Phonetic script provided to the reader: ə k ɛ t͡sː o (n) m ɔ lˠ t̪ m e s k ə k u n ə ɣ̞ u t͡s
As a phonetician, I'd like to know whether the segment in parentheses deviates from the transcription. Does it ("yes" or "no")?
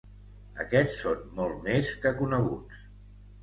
no